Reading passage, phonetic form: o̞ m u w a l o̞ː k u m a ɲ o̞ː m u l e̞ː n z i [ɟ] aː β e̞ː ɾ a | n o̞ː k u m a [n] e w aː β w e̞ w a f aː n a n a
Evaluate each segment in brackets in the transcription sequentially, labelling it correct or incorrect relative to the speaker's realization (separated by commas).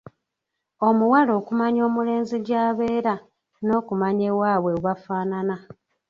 correct, incorrect